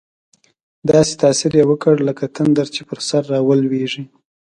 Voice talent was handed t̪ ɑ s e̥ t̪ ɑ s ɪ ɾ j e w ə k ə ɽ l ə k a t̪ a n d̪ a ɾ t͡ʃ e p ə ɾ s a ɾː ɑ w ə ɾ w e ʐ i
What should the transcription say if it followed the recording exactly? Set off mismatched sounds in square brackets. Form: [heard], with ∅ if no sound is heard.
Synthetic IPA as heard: [d̪] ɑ s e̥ t̪ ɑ s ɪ ɾ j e w ə k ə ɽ l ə k a t̪ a n d̪ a ɾ t͡ʃ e p ə ɾ s a ɾː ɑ w ə [l] w e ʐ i

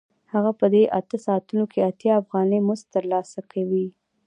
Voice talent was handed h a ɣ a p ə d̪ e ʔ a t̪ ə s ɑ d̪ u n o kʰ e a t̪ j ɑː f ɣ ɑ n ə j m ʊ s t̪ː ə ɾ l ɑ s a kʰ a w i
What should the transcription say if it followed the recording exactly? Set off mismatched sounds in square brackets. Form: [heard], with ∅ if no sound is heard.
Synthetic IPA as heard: h a ɣ a p ə d̪ e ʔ a t̪ ə s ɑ [t̪] u n o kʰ e a t̪ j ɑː f ɣ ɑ n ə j m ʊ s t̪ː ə ɾ l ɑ s a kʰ a w i

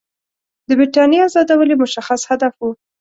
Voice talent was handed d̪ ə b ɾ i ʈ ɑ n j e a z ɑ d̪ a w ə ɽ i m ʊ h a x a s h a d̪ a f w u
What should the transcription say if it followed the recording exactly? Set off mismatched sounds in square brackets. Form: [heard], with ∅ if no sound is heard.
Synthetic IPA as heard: d̪ ə b ɾ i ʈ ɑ n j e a z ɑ d̪ a w ə [l] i m ʊ [ʃ] a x a s h a d̪ a f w u

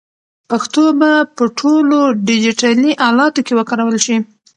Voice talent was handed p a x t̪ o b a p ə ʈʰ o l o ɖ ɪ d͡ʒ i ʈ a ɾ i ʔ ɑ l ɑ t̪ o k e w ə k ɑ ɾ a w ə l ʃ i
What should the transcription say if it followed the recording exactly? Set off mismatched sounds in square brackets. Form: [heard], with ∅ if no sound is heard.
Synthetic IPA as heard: p a x t̪ o b a p ə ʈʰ o l o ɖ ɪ d͡ʒ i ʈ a [l] i ʔ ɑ l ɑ t̪ o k e w ə k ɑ ɾ a w ə l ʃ i

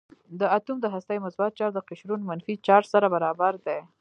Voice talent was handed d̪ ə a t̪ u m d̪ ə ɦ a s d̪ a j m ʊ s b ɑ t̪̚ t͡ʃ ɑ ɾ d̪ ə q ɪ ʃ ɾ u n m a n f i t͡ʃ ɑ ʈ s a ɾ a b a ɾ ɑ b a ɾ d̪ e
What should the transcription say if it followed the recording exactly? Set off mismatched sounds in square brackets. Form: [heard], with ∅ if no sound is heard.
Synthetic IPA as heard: d̪ ə a t̪ u m d̪ ə ɦ a s [t̪] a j m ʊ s b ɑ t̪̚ t͡ʃ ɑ ɾ d̪ ə q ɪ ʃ ɾ u n m a n f i t͡ʃ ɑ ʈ s a ɾ a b a ɾ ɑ b a ɾ d̪ e

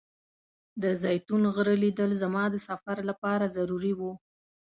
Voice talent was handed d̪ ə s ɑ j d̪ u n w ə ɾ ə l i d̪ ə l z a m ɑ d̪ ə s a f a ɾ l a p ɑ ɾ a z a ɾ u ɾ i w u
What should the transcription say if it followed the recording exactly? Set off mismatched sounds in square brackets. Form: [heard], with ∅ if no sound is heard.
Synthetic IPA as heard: d̪ ə [z] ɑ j [t̪] u n [ɣ] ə ɾ ə l i d̪ ə l z a m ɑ d̪ ə s a f a ɾ l a p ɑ ɾ a z a ɾ u ɾ i w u

